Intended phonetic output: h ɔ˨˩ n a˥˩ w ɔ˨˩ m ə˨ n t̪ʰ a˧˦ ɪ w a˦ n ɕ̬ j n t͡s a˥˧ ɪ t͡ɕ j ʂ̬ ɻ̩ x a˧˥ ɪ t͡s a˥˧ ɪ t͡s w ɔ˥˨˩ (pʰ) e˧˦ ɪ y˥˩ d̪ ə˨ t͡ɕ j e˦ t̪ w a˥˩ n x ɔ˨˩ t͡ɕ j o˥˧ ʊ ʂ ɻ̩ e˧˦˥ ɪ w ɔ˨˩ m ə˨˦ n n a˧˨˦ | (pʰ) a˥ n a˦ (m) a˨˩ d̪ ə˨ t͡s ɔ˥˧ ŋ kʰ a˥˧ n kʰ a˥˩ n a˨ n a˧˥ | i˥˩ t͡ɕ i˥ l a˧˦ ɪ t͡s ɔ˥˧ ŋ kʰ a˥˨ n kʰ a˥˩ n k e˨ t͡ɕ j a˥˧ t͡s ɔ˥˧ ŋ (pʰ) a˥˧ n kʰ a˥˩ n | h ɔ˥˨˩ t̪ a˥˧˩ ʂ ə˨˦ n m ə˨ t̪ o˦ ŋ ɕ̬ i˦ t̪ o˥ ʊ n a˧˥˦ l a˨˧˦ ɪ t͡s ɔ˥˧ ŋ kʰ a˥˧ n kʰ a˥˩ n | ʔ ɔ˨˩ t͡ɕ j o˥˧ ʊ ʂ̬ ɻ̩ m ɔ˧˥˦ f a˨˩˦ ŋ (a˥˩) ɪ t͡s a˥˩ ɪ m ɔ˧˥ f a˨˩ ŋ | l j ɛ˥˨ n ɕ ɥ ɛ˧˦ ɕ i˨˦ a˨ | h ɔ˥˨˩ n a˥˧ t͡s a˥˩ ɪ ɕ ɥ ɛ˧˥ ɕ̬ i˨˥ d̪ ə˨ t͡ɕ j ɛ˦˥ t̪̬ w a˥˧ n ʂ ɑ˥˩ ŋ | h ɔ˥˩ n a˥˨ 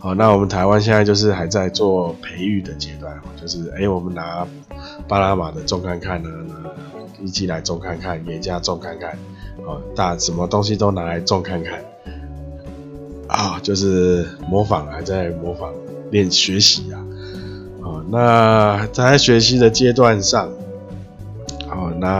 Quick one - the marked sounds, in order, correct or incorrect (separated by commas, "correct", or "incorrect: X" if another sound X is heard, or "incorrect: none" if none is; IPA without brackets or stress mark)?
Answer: correct, incorrect: p, correct, incorrect: kʰ, incorrect: a˨˦